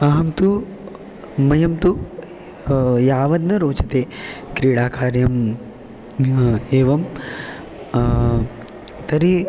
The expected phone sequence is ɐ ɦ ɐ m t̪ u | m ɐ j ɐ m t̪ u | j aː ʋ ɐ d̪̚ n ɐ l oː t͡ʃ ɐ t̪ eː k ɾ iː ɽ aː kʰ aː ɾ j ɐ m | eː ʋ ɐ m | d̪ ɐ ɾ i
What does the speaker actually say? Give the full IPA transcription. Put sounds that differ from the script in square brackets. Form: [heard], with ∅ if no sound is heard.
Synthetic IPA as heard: ɐ ɦ ɐ m t̪ u | m ɐ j ɐ m t̪ u | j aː ʋ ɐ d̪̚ n ɐ [ɾ] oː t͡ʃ ɐ t̪ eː k ɾ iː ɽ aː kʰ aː ɾ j ɐ m | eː ʋ ɐ m | [t̪] ɐ ɾ i